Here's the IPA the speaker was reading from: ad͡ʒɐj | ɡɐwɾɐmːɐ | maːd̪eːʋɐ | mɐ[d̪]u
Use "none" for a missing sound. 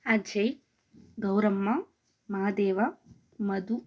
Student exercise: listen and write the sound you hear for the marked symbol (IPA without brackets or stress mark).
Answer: d̪